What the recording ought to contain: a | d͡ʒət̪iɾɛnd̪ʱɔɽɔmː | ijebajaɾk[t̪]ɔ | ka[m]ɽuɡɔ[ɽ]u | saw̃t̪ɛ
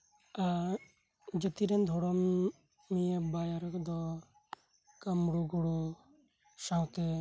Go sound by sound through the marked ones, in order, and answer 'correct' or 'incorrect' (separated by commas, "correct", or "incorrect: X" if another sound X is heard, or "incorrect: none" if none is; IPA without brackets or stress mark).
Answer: incorrect: d̪, correct, correct